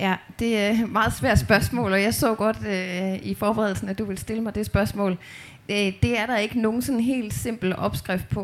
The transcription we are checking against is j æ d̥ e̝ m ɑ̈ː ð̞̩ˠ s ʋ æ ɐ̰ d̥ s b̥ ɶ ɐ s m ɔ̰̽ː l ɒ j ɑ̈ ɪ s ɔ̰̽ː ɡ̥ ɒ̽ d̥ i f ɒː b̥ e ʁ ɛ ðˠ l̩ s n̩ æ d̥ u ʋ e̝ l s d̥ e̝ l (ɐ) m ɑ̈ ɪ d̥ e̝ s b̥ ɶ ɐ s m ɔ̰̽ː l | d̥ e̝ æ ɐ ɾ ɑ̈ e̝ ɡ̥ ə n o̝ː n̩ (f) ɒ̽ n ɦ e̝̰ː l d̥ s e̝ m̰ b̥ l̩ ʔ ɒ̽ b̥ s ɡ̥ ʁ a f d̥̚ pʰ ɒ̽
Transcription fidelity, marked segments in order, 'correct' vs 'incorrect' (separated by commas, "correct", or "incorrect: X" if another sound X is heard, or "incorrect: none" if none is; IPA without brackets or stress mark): incorrect: ə, incorrect: s